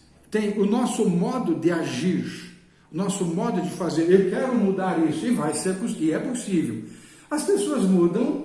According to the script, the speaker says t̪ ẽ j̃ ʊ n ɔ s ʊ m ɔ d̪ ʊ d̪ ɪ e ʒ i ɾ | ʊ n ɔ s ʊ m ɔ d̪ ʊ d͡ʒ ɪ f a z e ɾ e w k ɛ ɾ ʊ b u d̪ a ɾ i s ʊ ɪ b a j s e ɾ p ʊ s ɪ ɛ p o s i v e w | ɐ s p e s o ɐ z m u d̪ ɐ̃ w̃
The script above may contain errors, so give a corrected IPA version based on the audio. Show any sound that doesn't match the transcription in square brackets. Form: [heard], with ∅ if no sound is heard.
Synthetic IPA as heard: t̪ ẽ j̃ ʊ n ɔ s ʊ m ɔ d̪ ʊ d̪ ɪ [a] ʒ i ɾ | ʊ n ɔ s ʊ m ɔ d̪ ʊ d͡ʒ ɪ f a z e ɾ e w k ɛ ɾ ʊ [m] u d̪ a ɾ i s ʊ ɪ [v] a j s e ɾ p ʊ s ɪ ɛ p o s i v e w | ɐ s p e s o ɐ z m u d̪ ɐ̃ w̃